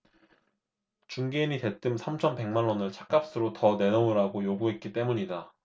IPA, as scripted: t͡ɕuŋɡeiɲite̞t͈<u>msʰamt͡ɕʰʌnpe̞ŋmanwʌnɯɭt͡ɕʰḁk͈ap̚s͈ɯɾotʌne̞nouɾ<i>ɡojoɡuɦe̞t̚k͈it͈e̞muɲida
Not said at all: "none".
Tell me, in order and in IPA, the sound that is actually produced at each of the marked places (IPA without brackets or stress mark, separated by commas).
ɯ, a